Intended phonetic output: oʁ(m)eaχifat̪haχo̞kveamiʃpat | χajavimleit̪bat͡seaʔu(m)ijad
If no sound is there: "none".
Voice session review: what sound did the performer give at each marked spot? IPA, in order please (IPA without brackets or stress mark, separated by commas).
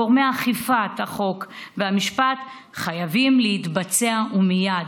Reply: m, m